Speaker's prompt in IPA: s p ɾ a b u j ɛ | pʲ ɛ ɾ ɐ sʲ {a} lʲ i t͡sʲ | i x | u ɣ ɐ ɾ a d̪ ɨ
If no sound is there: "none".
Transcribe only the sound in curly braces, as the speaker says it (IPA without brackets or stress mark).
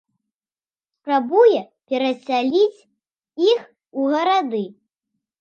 a